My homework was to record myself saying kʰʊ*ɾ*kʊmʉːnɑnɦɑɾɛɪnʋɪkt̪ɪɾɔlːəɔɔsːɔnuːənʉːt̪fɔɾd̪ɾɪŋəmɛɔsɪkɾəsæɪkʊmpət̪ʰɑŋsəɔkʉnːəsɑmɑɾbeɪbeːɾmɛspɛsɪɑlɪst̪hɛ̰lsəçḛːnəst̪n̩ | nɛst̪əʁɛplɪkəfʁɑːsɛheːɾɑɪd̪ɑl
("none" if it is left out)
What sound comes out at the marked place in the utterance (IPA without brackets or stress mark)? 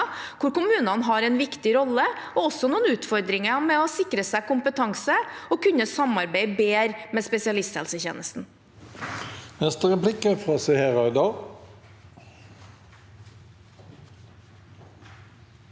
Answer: ɾ